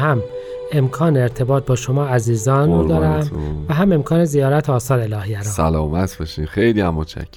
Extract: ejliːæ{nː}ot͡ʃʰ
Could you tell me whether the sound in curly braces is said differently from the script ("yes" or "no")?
yes